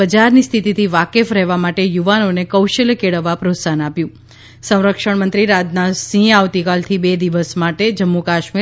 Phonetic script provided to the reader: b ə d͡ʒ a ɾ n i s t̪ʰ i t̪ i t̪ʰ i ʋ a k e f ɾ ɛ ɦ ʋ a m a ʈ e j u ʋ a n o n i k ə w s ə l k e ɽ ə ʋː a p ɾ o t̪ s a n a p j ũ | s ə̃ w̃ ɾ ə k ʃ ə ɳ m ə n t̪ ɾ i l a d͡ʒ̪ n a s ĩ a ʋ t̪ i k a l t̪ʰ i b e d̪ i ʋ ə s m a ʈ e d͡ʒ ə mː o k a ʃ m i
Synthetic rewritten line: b ə d͡ʒ a ɾ n i s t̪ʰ i t̪ i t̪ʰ i ʋ a k e f ɾ ɛ ɦ ʋ a m a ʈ e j u ʋ a n o n e k ə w ʃ ə l k e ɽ ə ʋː a p ɾ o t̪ s a n a p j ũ | s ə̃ w̃ ɾ ə k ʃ ə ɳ m ə n t̪ ɾ i ɾ a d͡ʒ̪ n a s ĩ a ʋ t̪ i k a l t̪ʰ i b e d̪ i ʋ ə s m a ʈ e d͡ʒ ə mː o k a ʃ m i